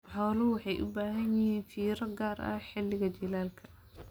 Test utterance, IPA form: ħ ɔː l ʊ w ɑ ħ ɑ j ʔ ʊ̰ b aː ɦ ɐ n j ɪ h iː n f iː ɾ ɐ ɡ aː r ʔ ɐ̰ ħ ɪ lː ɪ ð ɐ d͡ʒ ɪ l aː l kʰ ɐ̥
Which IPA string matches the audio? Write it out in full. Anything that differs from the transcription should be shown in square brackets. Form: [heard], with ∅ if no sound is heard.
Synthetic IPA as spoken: ħ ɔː l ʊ w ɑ ħ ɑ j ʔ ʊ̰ b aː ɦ ɐ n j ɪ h iː n f iː ɾ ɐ ɡ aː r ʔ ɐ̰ ħ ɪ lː ɪ [ɣ] ɐ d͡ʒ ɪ l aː l kʰ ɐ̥